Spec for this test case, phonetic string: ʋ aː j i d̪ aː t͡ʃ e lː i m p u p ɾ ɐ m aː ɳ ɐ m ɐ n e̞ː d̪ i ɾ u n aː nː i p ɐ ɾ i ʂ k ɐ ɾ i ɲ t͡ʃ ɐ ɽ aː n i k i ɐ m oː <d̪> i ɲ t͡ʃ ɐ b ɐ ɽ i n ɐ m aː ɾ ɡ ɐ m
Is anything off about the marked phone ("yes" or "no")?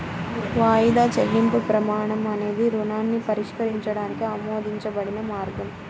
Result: no